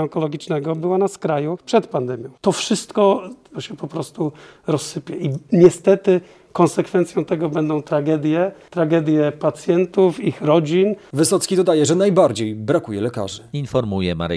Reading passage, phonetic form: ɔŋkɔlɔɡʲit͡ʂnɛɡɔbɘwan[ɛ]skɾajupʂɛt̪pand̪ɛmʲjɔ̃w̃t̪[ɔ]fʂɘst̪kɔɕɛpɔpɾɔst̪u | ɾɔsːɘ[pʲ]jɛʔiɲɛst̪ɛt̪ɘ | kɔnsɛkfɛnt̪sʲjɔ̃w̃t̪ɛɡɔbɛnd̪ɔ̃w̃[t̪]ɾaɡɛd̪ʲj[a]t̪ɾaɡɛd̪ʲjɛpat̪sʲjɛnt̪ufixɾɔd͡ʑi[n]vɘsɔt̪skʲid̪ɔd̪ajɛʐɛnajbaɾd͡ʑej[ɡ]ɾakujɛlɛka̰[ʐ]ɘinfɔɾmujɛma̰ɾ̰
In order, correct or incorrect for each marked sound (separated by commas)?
incorrect, correct, correct, correct, incorrect, correct, incorrect, correct